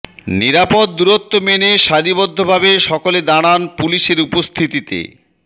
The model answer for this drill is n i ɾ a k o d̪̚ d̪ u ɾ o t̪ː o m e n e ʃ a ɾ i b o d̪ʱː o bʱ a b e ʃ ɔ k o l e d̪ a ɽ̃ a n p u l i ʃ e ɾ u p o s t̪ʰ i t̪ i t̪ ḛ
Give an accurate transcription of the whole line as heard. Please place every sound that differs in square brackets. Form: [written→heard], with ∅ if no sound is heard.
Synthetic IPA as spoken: n i ɾ a [k→p] o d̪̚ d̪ u ɾ o t̪ː o m e n e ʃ a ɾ i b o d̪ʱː o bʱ a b e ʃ ɔ k o l e d̪ a ɽ̃ a n p u l i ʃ e ɾ u p o s t̪ʰ i t̪ i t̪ ḛ